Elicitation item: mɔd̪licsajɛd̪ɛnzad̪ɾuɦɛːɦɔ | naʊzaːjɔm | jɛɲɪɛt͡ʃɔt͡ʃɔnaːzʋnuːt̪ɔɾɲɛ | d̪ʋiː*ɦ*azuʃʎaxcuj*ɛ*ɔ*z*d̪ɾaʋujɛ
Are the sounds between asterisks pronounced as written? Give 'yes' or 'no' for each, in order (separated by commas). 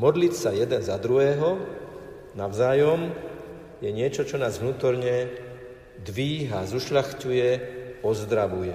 yes, yes, yes